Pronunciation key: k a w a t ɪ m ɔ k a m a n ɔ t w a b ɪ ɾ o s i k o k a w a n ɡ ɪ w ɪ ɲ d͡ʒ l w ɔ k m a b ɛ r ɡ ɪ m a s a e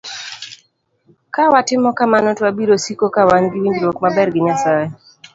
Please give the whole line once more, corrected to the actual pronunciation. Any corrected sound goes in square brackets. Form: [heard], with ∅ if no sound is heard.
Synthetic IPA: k a w a t ɪ m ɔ k a m a n ɔ t w a b [i] ɾ o s i k o k a w a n ɡ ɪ w [i] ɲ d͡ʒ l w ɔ k m a b ɛ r ɡ ɪ [ɲ] a s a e